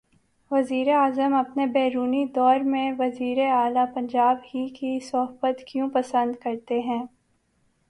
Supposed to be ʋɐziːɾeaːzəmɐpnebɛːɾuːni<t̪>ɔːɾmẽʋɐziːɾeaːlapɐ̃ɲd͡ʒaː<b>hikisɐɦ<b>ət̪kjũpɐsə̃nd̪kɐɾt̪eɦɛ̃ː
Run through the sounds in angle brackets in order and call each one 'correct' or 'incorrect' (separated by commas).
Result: incorrect, correct, correct